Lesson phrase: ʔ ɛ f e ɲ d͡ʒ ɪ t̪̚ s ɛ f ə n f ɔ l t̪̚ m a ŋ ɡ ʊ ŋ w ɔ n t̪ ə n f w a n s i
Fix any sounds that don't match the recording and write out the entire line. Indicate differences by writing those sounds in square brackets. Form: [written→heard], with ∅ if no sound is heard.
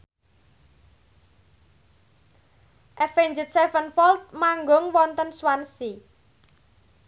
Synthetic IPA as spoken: ʔ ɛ f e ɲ d͡ʒ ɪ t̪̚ s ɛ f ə n f ɔ l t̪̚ m a ŋ ɡ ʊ ŋ w ɔ n t̪ ə n [f→s] w a n s i